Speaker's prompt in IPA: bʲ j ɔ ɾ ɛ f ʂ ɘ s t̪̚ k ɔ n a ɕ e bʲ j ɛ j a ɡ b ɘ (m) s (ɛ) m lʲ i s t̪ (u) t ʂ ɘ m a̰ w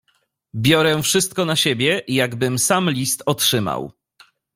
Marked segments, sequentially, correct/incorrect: correct, incorrect: a, incorrect: ɔ

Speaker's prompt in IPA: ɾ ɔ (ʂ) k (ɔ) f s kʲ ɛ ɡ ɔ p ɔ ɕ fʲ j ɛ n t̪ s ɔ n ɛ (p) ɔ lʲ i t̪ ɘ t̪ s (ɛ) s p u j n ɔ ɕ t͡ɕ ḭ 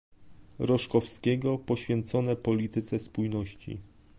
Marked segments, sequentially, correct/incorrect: correct, correct, correct, correct

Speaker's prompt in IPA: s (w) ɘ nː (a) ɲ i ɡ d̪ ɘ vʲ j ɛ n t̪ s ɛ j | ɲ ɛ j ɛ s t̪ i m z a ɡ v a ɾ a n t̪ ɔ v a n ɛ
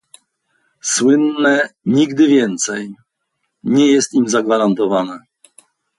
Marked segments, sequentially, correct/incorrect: correct, incorrect: ɛ

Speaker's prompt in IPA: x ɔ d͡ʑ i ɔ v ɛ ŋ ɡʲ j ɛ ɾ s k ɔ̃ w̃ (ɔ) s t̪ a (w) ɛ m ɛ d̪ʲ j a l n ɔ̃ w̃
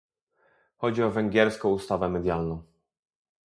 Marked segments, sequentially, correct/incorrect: incorrect: u, incorrect: v

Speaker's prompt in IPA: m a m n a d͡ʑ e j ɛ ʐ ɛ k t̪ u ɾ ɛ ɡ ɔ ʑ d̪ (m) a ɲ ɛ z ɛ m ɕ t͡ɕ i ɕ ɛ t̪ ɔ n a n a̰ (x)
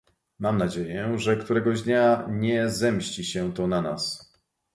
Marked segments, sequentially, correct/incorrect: incorrect: ɲ, incorrect: s

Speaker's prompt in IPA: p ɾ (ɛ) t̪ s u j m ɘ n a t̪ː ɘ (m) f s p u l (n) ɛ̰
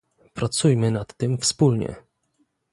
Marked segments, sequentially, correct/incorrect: incorrect: a, correct, incorrect: ɲ

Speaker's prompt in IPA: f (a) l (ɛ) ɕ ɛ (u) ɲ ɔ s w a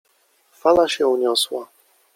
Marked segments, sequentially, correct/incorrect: correct, incorrect: a, correct

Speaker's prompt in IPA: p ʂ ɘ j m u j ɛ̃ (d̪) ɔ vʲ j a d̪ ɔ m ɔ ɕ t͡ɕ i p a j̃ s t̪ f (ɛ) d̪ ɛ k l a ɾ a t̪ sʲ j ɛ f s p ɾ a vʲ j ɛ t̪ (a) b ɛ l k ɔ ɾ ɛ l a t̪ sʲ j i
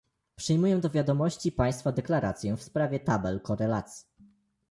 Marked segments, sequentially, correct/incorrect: correct, incorrect: a, correct

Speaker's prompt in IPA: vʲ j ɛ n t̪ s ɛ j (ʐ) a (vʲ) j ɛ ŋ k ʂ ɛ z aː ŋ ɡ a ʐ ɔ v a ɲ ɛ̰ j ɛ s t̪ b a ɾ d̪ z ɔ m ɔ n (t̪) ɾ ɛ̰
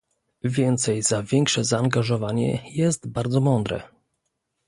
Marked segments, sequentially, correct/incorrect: incorrect: z, correct, incorrect: d̪

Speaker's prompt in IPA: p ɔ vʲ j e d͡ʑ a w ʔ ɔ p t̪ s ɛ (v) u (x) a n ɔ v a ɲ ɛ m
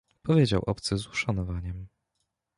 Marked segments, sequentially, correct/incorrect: incorrect: z, incorrect: ʂ

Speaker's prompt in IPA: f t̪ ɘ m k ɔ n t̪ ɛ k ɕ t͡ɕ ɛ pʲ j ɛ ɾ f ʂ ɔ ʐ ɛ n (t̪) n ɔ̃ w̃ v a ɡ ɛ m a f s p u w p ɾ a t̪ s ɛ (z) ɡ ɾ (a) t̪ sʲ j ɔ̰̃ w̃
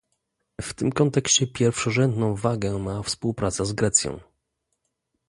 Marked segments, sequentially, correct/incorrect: incorrect: d̪, correct, incorrect: ɛ

